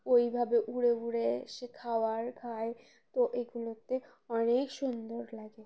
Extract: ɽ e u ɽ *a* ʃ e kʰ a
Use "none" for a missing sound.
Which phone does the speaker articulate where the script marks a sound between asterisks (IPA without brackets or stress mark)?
e